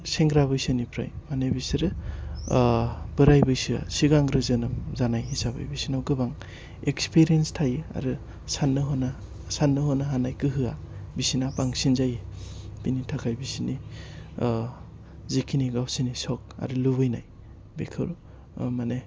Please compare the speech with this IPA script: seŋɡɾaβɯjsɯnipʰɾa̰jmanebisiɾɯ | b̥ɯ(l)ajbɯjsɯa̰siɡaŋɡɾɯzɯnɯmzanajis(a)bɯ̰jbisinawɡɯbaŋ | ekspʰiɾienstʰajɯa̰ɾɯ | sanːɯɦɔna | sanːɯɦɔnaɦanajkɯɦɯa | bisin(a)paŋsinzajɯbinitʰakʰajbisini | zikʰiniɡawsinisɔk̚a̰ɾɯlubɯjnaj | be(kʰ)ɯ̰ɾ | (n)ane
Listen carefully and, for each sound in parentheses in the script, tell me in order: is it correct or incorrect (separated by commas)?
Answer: incorrect, correct, correct, correct, incorrect